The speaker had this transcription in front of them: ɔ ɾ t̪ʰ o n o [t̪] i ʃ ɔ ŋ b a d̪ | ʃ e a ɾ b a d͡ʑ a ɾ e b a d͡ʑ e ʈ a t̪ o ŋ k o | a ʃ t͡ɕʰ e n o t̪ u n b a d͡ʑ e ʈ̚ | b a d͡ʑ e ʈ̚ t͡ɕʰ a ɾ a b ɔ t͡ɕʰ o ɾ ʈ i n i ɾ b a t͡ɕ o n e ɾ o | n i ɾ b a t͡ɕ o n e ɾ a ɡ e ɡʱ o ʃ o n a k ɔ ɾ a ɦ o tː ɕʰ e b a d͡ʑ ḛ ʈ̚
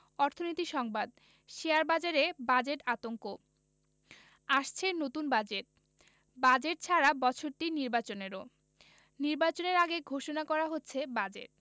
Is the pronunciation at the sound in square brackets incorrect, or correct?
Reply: correct